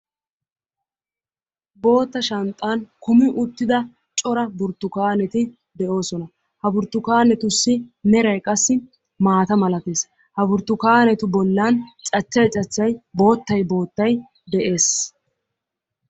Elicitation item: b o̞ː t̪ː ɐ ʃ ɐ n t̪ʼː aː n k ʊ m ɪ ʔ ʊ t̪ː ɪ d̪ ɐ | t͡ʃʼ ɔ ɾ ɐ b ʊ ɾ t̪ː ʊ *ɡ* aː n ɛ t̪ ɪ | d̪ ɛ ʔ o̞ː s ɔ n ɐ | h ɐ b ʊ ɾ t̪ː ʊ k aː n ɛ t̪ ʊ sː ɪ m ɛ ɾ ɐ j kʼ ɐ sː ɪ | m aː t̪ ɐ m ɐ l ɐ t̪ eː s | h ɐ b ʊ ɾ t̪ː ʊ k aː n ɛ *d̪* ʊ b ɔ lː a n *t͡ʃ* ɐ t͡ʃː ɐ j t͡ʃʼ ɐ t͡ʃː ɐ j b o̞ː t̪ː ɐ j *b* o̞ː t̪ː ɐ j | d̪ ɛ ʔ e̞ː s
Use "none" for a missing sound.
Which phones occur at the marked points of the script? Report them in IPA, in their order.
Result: k, t̪, t͡ʃʼ, b

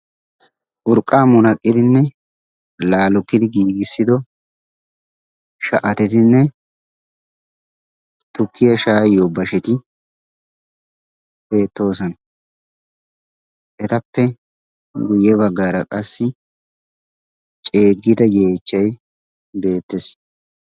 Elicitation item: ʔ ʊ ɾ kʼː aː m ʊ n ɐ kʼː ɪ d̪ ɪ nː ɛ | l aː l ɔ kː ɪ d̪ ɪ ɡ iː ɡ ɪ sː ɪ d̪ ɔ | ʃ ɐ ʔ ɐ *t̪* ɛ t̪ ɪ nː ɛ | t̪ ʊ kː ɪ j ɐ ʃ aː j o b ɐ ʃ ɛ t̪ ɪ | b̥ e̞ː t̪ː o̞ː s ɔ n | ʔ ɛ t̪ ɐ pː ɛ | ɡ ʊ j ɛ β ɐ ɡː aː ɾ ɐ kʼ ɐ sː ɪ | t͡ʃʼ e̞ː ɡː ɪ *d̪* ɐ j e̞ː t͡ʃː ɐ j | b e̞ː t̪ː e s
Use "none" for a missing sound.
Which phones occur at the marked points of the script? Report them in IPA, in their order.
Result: t̪, d̪

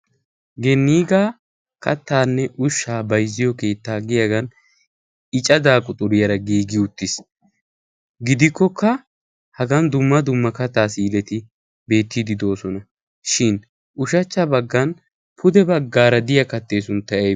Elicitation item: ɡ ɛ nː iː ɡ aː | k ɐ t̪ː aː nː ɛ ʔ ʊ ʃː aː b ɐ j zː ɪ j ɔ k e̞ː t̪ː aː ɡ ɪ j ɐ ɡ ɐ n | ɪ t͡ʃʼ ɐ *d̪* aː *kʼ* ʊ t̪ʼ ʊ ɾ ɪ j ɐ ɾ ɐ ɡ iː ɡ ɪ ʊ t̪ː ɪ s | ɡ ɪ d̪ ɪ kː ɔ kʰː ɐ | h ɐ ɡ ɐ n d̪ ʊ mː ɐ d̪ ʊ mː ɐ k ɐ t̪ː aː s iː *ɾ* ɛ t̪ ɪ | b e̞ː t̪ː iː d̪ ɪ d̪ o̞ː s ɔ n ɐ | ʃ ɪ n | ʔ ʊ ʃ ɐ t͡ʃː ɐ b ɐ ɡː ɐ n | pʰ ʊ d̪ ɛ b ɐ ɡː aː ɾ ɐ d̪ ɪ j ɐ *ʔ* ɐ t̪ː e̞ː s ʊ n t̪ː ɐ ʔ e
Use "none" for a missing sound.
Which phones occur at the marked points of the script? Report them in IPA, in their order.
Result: d̪, kʼ, l, k

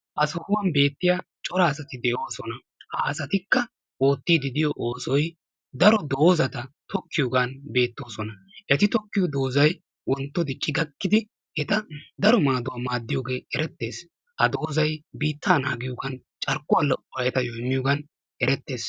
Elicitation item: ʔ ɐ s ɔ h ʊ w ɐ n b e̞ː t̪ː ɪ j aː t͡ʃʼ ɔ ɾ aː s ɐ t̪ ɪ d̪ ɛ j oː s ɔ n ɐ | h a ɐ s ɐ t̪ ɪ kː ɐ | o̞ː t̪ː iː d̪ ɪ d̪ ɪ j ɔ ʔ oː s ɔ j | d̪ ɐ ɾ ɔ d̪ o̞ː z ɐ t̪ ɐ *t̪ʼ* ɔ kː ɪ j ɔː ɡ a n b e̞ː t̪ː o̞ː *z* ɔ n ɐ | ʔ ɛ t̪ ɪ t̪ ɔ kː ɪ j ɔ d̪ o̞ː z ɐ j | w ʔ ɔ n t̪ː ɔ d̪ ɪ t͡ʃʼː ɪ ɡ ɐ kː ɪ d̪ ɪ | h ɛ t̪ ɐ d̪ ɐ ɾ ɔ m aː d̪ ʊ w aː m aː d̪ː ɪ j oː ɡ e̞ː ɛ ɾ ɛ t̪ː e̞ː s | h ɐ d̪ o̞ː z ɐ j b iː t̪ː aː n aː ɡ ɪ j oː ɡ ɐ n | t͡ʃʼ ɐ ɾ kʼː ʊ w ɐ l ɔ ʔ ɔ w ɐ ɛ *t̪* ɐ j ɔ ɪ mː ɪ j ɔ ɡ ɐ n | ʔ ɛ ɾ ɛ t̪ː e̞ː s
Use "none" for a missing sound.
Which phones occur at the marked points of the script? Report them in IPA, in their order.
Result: t̪, s, t̪

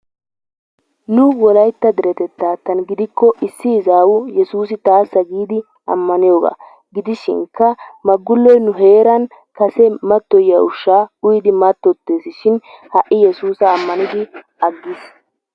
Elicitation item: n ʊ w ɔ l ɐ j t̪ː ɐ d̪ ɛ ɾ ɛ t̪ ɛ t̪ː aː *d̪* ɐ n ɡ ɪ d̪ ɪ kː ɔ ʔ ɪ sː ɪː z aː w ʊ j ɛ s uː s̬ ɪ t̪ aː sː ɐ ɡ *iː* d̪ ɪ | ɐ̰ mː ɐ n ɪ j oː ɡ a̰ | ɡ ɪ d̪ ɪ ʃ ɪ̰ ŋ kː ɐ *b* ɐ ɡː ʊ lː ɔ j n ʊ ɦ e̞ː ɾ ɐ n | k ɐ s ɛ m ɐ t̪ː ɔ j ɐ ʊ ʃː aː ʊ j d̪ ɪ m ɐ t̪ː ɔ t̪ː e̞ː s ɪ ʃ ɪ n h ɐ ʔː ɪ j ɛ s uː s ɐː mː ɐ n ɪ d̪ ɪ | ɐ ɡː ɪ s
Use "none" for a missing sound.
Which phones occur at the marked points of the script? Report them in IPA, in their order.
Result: t̪, iː, m

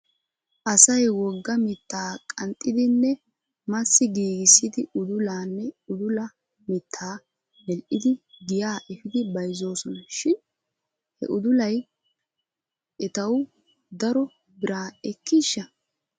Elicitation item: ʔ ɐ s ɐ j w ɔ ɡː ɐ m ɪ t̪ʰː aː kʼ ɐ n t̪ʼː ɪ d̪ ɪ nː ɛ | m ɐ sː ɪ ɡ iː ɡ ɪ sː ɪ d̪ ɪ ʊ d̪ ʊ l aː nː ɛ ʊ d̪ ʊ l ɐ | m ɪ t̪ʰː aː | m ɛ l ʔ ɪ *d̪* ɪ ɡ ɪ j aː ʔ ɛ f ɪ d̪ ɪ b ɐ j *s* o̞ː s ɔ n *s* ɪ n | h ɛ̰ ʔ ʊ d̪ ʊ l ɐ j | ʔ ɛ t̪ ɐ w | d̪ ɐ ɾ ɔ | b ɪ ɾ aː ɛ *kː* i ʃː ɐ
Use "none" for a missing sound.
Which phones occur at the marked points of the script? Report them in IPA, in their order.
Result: d̪, z, ʃ, kː

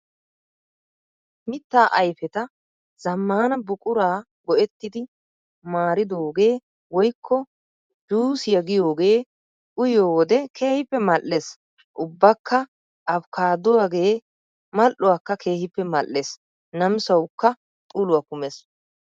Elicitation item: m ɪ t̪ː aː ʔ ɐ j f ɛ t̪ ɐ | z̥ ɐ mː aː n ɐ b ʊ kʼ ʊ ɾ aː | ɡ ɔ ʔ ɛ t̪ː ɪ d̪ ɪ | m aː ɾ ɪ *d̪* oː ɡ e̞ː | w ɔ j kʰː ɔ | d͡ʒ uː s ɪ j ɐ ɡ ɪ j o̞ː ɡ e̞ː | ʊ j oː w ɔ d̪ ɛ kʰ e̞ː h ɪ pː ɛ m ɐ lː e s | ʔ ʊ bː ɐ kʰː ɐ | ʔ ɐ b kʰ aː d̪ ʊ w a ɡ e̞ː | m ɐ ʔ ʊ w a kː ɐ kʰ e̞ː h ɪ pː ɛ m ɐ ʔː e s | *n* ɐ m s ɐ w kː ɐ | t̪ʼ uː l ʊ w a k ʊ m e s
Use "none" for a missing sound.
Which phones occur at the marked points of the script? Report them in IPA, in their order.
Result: d̪, n

